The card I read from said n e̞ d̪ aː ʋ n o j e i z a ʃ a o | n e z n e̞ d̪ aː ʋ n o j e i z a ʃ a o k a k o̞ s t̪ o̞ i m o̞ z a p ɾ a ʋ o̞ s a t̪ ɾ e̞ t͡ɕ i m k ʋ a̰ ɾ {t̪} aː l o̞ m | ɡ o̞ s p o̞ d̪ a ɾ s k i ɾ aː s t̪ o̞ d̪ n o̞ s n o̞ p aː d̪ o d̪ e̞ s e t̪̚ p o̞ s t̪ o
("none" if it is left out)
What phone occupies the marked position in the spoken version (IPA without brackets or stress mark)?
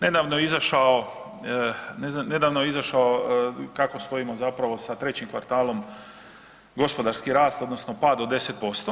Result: t̪